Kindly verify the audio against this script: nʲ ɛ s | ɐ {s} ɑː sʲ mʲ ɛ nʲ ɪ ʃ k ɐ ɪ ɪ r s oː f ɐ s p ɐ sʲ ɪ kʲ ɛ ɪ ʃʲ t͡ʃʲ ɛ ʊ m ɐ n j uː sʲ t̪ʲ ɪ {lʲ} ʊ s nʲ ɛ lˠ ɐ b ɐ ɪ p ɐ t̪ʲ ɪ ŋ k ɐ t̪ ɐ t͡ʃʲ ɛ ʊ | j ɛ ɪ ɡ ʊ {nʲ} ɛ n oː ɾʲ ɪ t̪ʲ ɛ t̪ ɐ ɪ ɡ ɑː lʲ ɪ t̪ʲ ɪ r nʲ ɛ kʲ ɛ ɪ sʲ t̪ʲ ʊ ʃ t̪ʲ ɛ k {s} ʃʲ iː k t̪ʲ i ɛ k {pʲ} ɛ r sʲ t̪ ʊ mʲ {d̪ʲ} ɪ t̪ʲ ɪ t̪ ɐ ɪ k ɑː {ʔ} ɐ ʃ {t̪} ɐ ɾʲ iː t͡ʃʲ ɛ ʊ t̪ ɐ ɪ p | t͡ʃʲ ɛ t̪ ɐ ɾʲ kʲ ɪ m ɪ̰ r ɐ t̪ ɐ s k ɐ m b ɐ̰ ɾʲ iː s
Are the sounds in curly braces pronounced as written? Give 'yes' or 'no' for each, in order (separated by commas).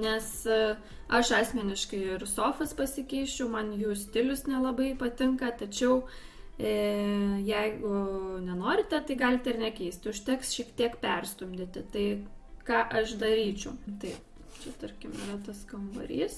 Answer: no, yes, yes, yes, yes, yes, yes, no